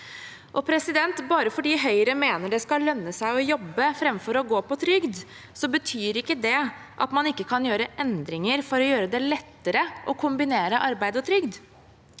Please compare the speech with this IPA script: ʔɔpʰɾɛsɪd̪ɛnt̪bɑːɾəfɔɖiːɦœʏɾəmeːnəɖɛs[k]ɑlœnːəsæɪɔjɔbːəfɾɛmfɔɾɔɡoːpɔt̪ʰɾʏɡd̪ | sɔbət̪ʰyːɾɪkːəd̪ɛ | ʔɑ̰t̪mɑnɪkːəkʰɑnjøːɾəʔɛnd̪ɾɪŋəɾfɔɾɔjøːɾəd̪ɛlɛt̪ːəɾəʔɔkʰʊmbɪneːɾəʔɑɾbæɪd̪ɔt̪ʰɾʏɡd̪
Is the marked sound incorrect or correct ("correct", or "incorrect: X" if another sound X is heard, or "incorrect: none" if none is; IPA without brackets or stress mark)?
correct